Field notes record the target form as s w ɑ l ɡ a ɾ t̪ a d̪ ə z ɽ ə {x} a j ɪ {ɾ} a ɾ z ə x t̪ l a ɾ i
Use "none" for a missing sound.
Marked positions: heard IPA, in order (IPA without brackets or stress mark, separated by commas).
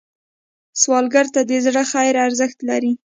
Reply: x, ɾ